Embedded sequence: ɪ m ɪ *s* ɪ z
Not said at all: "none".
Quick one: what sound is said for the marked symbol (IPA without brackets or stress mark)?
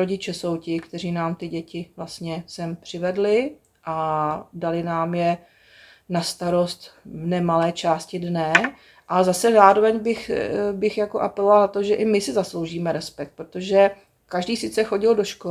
s